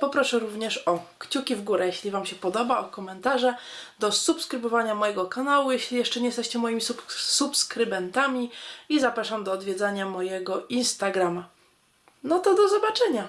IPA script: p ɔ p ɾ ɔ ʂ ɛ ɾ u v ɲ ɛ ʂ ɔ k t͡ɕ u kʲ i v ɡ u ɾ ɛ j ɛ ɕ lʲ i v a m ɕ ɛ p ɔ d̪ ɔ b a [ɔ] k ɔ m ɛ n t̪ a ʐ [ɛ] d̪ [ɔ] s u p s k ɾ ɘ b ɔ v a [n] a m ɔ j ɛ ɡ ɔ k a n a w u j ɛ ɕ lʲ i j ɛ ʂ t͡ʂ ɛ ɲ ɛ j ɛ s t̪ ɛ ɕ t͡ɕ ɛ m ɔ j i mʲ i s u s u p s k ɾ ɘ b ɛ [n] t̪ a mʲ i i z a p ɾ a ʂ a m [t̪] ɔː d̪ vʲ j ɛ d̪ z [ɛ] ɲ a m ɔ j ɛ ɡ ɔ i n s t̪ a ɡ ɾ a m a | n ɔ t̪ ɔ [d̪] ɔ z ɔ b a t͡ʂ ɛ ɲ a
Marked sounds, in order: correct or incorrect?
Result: correct, correct, correct, incorrect, correct, incorrect, incorrect, correct

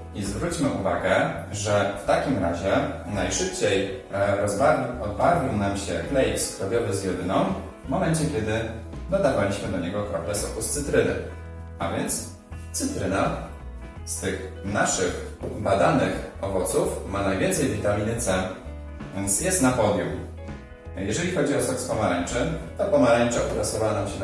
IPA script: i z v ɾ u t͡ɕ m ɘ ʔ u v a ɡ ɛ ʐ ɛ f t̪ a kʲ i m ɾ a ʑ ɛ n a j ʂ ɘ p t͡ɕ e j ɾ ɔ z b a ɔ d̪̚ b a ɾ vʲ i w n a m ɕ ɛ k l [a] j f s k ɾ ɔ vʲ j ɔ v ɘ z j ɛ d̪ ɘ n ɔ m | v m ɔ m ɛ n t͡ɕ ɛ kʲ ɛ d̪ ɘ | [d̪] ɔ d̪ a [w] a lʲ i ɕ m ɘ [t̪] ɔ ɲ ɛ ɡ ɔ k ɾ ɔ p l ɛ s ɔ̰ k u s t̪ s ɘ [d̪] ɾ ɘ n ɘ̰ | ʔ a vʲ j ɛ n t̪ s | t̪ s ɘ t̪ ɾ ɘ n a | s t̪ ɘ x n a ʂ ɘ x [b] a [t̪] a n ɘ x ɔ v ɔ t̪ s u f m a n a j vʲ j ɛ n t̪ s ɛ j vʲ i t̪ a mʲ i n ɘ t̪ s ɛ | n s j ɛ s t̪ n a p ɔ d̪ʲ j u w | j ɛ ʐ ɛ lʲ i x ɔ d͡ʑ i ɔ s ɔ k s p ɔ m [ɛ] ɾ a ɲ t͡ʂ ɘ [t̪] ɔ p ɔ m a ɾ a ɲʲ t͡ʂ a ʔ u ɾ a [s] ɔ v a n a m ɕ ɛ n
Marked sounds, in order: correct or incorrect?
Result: incorrect, correct, incorrect, incorrect, incorrect, correct, incorrect, incorrect, correct, correct

